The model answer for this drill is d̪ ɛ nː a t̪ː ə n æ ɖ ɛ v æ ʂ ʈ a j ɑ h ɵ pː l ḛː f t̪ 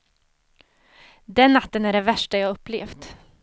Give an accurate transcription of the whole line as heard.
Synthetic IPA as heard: d̪ ɛ nː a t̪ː ə n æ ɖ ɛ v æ ʂ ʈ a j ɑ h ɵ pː l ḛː f t̪

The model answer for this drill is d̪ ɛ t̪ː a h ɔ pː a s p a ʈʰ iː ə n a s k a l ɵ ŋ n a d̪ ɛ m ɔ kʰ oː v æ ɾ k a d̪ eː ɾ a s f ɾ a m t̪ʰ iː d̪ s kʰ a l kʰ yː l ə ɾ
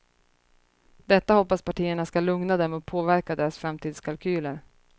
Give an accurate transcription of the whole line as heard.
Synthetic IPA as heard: d̪ ɛ t̪ː a h ɔ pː a s p a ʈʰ iː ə ɳ a s k a l ɵ ŋ n a d̪ ɛ m ɔ pʰ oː v æ ɾ k a d̪ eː ɾ a s f ɾ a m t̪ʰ iː d̪ s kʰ a l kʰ yː l ə ɾ

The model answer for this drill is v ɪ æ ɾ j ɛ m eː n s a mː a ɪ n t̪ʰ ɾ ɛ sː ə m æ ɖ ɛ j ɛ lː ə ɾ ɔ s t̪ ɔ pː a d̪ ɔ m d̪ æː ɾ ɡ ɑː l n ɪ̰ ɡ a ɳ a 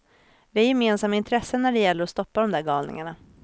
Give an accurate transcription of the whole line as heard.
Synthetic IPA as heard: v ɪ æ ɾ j ɛ m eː n s a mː a ɪ n t̪ʰ ɾ ɛ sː ə n æ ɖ ɛ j ɛ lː ə ɾ ɔ s t̪ ɔ pː a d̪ ɔ m d̪ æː ɾ ɡ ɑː l n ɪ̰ ŋ a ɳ a

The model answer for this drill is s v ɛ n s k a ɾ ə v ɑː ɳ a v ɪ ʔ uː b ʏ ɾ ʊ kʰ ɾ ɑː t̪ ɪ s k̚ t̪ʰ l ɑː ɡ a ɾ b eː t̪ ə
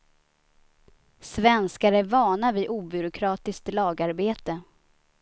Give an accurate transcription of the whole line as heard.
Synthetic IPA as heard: s v ɛ n s k a ɾ ə v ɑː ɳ a v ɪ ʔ uː b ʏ ɾ ʊ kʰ ɾ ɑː t̪ ɪ s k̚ t̪ l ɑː ɡ a ɾ b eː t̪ ə

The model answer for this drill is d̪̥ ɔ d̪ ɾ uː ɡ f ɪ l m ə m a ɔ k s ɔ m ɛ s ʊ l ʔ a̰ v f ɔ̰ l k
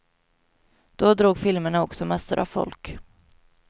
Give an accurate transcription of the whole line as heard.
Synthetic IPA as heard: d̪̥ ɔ d̪ ɾ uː ɡ f ɪ l m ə ɳ a ɔ k s ɔ m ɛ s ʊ ɾ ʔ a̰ v f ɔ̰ l k

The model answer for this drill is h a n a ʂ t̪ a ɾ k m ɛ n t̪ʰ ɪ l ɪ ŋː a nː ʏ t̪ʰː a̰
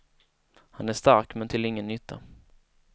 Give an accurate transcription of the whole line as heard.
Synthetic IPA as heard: h a n æ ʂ t̪ a ɾ k m ɛ n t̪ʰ ɪ l ɪ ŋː ə nː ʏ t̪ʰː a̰

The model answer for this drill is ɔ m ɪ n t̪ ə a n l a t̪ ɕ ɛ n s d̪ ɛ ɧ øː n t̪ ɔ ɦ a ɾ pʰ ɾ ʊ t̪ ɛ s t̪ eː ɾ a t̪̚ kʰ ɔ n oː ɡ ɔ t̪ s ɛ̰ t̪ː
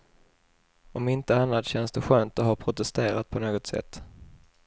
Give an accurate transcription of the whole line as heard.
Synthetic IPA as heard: ɔ m ɪ n t̪ ə a n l a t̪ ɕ ɛ n s d̪ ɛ ɧ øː n t̪ ɔ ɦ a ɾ pʰ ɾ ʊ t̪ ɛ s t̪ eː ɾ a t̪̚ pʰ ɔ n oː ɡ ɔ t̪ s ɛ̰ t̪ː

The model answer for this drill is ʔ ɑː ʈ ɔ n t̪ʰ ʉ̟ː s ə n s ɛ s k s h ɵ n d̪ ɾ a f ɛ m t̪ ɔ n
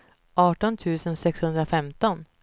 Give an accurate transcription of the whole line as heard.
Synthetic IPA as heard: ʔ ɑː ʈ ɔ n t̪ʰ ʉ̟ː s ə n s ɛ k s h ɵ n d̪ ɾ a f ɛ m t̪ ɔ n

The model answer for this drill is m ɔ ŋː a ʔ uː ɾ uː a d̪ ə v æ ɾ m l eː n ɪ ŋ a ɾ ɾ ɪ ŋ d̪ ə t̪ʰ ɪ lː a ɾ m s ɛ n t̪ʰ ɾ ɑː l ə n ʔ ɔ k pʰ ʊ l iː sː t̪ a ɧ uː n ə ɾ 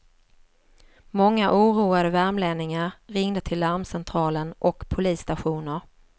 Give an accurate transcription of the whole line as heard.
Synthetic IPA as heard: m ɔ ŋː a ʔ uː ɾ uː a d̪ ə v æ ɾ m l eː n ɪ ŋ a ɾ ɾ ɪ ŋ d̪ ə t̪ʰ ɪ lː a ɾ m s ɛ n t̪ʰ ɾ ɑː l ə n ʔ ɔ k pʰ ʊ l iː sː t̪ a ɧ uː n ə ɾ

